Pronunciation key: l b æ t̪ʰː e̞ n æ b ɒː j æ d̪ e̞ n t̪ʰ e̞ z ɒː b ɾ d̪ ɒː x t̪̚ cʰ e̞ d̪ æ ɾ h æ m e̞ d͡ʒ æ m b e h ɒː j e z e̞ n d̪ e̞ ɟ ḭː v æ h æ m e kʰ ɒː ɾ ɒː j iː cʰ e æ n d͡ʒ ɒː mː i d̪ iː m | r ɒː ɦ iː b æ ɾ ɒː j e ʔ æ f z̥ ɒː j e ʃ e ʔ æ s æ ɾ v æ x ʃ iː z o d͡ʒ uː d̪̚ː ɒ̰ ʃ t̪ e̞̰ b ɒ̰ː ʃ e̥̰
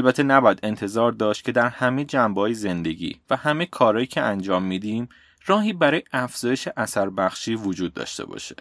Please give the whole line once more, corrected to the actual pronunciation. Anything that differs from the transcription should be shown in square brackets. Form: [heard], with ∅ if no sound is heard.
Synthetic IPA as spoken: l b æ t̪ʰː e̞ n æ b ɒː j æ d̪ e̞ n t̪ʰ e̞ z ɒː [∅] ɾ d̪ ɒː [ʃ] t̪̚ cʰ e̞ d̪ æ ɾ h æ m e̞ d͡ʒ æ m b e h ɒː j e z e̞ n d̪ e̞ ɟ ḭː v æ h æ m e kʰ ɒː ɾ ɒː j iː cʰ e æ n d͡ʒ ɒː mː i d̪ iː m | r ɒː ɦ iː b æ ɾ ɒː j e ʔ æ f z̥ ɒː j e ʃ e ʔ æ s æ ɾ [b] æ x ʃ iː [v] o d͡ʒ uː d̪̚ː ɒ̰ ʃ t̪ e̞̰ b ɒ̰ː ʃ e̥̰